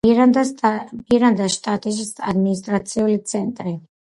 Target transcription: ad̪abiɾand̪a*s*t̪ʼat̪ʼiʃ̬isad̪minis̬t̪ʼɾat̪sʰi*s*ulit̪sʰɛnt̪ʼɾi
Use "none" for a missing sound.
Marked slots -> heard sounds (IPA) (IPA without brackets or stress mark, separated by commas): ʃ, none